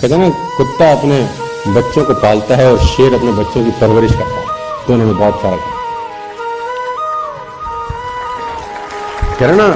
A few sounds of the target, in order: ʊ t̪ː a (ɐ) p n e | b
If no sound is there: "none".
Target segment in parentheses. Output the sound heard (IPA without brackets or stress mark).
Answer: ɐ